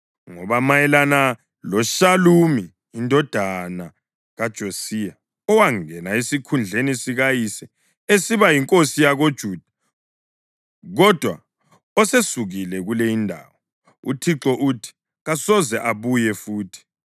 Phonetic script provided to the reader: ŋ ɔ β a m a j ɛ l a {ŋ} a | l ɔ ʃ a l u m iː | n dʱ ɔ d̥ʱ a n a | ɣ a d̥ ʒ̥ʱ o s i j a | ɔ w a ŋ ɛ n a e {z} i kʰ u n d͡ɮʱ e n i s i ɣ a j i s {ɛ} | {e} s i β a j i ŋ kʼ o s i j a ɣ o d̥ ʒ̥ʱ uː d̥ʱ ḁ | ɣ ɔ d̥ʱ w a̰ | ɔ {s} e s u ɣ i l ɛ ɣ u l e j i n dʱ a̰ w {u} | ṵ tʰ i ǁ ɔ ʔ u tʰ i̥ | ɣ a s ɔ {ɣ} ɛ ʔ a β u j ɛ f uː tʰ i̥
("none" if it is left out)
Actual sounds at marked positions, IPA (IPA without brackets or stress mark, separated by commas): n, s, ɛ, e, s, ɔ, z